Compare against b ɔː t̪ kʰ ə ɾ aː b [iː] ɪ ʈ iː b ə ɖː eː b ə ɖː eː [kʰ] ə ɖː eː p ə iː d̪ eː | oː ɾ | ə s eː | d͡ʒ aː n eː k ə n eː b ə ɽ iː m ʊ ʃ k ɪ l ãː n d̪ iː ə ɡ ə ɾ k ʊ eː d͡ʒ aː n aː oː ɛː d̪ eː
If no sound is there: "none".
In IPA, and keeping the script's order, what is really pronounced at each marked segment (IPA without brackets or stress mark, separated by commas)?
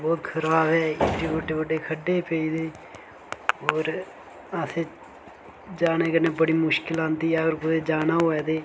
ɛː, kʰ